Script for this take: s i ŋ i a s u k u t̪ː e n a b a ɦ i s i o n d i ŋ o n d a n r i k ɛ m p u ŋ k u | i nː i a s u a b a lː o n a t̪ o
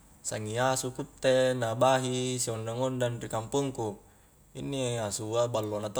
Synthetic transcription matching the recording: s a ŋ i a s u k u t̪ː e n a b a ɦ i s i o n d a ŋ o n d a n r i k a m p u ŋ k u | i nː i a s u a b a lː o n a t̪ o